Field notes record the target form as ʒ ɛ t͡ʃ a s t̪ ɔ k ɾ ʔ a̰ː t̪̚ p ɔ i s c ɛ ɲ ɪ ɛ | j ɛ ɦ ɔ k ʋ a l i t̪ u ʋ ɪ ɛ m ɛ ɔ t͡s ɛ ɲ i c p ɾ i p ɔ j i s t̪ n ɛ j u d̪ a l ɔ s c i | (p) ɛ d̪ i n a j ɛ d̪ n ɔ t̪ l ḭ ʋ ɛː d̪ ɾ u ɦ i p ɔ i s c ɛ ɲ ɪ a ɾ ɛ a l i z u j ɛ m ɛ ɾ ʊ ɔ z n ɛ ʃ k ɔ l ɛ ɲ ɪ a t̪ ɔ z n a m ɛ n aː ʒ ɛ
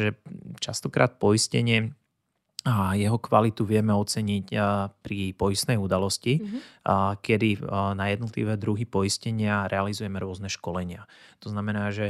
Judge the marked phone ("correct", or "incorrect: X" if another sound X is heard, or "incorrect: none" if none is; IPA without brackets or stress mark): incorrect: k